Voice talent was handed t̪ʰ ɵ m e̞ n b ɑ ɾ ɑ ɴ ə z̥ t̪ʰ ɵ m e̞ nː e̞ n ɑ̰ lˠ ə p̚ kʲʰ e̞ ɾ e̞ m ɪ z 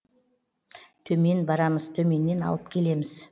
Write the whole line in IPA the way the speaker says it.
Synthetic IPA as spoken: t̪ʰ ɵ m e̞ n b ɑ ɾ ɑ m ə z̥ t̪ʰ ɵ m e̞ nː e̞ n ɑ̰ lˠ ə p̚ kʲʰ e̞ l e̞ m ɪ z